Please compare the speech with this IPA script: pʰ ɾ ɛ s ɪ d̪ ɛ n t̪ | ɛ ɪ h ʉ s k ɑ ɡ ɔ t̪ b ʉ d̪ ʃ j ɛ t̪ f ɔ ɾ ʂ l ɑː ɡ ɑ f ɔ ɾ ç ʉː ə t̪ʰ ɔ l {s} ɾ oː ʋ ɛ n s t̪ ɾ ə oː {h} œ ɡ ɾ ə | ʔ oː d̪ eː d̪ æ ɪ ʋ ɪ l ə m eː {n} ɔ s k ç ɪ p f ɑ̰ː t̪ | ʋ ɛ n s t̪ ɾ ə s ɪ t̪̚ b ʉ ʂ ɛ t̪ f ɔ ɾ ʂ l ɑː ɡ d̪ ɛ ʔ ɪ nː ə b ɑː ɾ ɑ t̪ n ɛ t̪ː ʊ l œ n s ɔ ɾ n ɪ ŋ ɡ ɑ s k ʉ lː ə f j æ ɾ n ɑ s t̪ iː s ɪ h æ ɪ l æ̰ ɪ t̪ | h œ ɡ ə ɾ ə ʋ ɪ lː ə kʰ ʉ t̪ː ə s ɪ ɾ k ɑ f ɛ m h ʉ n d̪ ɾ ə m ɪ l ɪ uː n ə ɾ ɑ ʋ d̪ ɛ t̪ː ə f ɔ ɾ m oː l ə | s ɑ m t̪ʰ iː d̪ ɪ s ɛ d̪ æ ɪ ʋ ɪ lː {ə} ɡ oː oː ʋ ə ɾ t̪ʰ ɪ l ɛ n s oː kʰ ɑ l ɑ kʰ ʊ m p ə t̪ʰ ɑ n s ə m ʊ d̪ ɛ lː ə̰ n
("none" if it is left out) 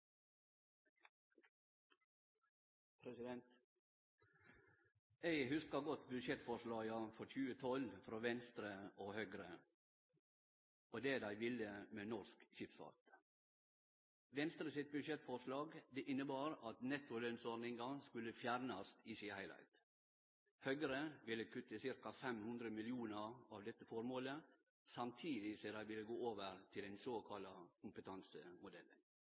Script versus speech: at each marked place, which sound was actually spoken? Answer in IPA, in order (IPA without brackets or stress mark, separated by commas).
f, h, n, ə